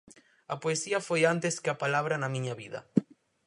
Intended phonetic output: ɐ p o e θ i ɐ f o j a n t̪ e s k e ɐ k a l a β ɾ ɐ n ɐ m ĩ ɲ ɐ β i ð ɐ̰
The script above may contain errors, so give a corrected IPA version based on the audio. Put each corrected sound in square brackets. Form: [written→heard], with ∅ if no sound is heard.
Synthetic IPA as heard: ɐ p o e [θ→s] i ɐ f o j a n t̪ e s k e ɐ [k→p] a l a β ɾ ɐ n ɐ m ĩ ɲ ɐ β i ð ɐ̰